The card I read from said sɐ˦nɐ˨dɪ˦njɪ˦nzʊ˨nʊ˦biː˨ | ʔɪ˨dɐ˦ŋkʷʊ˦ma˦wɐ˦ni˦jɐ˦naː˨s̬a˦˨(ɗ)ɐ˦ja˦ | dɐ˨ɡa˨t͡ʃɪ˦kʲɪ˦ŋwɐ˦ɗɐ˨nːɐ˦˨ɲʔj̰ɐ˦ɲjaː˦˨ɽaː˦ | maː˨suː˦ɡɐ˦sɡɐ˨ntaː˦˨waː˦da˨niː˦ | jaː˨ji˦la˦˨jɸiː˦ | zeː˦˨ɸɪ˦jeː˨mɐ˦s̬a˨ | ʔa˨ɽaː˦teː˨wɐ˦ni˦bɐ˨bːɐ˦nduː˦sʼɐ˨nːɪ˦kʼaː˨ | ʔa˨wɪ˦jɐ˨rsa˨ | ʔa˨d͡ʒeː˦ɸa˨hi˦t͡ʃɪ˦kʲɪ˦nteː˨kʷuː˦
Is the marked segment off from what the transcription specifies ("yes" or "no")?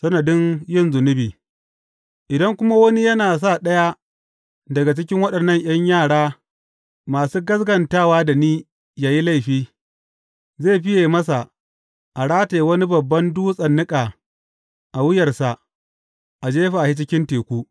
no